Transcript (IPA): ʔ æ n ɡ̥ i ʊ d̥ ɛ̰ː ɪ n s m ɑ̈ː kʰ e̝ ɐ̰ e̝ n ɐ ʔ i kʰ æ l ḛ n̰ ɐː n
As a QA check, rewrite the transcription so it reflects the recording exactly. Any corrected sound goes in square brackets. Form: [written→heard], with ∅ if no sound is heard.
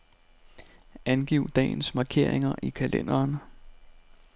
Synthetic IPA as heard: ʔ æ n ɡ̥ i ʊ d̥ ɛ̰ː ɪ n s m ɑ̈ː kʰ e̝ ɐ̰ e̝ [n→ŋ] ɐ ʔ i kʰ æ l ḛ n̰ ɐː n

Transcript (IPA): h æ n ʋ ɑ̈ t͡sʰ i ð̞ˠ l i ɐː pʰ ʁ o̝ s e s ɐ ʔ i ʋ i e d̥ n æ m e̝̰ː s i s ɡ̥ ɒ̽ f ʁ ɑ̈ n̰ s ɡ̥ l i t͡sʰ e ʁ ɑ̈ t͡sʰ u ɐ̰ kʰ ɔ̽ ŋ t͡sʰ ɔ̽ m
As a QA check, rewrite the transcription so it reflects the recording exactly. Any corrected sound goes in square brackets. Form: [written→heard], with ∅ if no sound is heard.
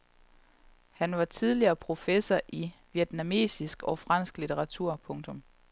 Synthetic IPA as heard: h æ n ʋ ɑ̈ t͡sʰ i ð̞ˠ l i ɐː pʰ ʁ o̝ [s→f] e s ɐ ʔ i ʋ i e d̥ n æ m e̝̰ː s i s ɡ̥ ɒ̽ f ʁ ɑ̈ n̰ s ɡ̥ l i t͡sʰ e ʁ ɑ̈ t͡sʰ u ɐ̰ [kʰ→pʰ] ɔ̽ ŋ t͡sʰ ɔ̽ m

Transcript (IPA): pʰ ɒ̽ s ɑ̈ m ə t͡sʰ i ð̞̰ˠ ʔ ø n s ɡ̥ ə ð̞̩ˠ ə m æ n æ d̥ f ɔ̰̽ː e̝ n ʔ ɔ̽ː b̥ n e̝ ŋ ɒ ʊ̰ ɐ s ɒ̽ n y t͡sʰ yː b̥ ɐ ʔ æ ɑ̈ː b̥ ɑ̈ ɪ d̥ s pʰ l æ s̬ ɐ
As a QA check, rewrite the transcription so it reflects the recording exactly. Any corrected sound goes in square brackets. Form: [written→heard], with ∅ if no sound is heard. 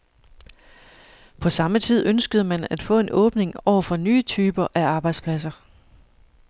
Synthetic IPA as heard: pʰ ɒ̽ s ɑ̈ m ə t͡sʰ i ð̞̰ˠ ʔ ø n s ɡ̥ ə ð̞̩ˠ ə m æ n æ d̥ f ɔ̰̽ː e̝ n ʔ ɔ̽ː b̥ n e̝ ŋ ɒ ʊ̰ ɐ [s→f] ɒ̽ n [y→yː] t͡sʰ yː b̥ ɐ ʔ æ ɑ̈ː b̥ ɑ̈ ɪ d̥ s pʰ l æ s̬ ɐ

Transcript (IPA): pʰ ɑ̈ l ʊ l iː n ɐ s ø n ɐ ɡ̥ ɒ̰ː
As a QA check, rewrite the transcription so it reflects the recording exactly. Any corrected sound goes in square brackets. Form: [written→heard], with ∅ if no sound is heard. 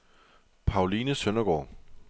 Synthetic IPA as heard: pʰ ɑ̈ [l→∅] ʊ l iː n [ɐ→ə] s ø n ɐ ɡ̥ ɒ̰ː

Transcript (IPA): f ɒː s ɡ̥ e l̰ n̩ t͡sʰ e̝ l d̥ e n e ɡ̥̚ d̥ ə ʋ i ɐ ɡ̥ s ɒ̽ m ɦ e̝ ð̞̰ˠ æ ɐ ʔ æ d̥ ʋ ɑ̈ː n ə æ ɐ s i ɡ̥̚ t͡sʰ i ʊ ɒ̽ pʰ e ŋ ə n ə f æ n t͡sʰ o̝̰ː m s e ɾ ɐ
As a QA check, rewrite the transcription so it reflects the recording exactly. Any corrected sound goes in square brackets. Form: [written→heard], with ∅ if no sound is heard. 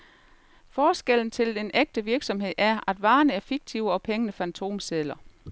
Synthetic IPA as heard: f ɒː s ɡ̥ e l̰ n̩ t͡sʰ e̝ l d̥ e n e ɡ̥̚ d̥ ə ʋ i ɐ ɡ̥ s ɒ̽ m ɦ e̝ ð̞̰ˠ æ ɐ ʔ æ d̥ ʋ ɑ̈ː n ə æ ɐ [s→f] i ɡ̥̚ t͡sʰ i ʊ ɒ̽ pʰ e ŋ ə n ə f æ n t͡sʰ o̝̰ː m s e [ɾ→l] ɐ

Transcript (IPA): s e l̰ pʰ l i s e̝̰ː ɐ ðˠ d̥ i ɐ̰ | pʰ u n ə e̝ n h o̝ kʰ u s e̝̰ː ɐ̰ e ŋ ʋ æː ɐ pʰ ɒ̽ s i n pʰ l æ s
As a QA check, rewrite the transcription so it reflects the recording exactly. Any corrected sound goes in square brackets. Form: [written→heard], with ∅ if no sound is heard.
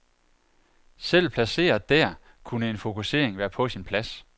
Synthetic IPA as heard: s e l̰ pʰ l [i→æ] s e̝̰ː ɐ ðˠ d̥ [i→æ] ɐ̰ | [pʰ→kʰ] u n ə e̝ n [h→f] o̝ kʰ u s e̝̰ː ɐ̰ e ŋ ʋ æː ɐ pʰ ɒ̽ s i n pʰ l æ s

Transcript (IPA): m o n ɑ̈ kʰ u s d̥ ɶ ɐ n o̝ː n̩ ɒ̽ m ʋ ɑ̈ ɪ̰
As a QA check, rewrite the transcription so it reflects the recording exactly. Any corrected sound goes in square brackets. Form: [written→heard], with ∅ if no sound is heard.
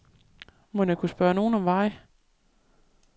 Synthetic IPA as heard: m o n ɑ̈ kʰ u s [d̥→b̥] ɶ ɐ n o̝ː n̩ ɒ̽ m ʋ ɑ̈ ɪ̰

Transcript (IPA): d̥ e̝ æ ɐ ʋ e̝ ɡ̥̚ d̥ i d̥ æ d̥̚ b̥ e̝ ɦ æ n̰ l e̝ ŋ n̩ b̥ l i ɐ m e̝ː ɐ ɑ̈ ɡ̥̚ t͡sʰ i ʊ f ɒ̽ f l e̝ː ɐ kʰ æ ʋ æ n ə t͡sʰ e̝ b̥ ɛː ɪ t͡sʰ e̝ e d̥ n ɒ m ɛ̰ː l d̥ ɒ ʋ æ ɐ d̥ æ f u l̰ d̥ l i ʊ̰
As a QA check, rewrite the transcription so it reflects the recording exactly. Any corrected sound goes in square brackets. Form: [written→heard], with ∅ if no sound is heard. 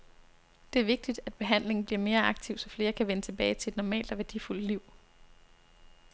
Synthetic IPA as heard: d̥ e̝ æ ɐ ʋ e̝ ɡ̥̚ d̥ i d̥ æ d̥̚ b̥ e̝ ɦ æ n̰ l e̝ ŋ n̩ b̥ l i ɐ m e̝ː ɐ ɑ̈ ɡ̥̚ t͡sʰ i ʊ [f→s] ɒ̽ f l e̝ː ɐ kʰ æ ʋ [æ→e] n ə t͡sʰ e̝ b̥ ɛː ɪ t͡sʰ e̝ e d̥ n ɒ m ɛ̰ː l d̥ ɒ ʋ æ ɐ d̥ [æ→i] f u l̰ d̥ l i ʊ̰

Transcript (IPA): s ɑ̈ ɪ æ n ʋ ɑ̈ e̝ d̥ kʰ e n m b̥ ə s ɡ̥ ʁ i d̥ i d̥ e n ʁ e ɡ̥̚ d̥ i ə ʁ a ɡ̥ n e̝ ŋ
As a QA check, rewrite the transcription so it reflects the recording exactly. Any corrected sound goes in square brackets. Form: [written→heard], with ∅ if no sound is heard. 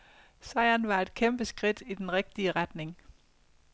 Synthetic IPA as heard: s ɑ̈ ɪ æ n ʋ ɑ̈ e̝ d̥ kʰ e [n→∅] m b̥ ə s ɡ̥ ʁ i d̥ i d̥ e n ʁ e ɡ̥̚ d̥ i ə ʁ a [ɡ̥→d̥] n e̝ ŋ

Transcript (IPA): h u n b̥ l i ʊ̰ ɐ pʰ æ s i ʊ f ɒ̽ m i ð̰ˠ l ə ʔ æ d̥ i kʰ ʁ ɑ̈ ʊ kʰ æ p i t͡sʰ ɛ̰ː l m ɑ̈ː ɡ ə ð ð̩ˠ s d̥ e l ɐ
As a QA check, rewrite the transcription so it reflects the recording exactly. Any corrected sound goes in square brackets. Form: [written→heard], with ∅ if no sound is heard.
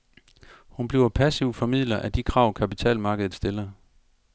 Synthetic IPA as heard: h u n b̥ l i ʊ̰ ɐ pʰ æ s i ʊ f ɒ̽ m i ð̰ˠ l [ə→ɐ] ʔ æ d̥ i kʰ ʁ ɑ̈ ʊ kʰ æ p i t͡sʰ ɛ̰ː l m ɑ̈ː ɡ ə ð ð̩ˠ s d̥ e l ɐ

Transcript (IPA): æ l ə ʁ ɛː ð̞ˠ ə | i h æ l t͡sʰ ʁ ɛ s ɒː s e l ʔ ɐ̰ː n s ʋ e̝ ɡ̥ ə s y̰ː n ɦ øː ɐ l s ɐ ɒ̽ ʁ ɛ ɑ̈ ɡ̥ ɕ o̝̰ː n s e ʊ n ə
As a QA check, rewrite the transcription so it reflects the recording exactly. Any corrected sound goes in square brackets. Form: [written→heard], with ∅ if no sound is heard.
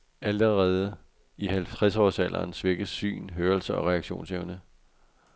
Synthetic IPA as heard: æ l ə ʁ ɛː ð̞ˠ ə | i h æ l t͡sʰ ʁ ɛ s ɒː s [e→æ] l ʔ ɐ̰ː n s ʋ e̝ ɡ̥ ə s y̰ː n ɦ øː ɐ l s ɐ ɒ̽ ʁ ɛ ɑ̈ ɡ̥ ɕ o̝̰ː n s e ʊ n ə

